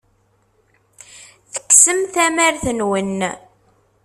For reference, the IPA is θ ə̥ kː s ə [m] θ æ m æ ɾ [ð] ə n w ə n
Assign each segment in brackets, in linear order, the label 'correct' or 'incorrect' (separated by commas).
correct, incorrect